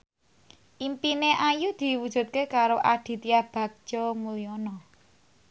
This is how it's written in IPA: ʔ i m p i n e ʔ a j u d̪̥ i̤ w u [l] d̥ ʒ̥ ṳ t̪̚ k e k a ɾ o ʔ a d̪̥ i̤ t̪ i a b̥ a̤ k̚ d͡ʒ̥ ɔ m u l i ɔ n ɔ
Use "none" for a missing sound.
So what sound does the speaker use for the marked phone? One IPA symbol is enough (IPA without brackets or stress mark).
none